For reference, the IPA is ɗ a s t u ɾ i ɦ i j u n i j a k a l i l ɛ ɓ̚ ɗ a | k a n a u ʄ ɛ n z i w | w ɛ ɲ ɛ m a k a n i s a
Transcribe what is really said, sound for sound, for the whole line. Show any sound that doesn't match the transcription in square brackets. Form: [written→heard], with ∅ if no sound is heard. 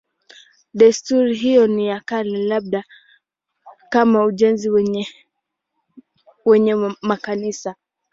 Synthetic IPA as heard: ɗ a s t u ɾ i ɦ i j [u→ɔ] n i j a k a l i l [ɛ→a] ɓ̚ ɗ a | k a [n→m] a u ʄ ɛ n z i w | w ɛ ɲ ɛ m a k a n i s a